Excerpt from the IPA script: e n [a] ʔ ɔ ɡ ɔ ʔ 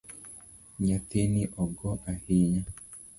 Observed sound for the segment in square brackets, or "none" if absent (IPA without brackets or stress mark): i